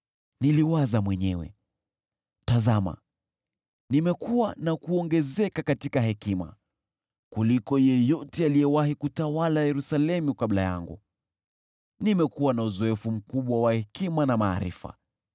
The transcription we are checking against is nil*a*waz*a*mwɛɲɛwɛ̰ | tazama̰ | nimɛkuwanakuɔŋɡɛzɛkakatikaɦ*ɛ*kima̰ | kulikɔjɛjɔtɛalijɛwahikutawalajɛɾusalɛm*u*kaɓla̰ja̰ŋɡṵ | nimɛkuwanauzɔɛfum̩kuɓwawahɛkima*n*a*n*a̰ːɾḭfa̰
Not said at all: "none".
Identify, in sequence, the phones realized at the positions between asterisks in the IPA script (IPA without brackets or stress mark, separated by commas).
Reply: i, a, ɛ, u, n, m